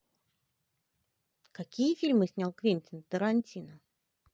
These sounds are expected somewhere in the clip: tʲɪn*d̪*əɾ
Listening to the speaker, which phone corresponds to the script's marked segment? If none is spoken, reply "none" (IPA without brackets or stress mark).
t̪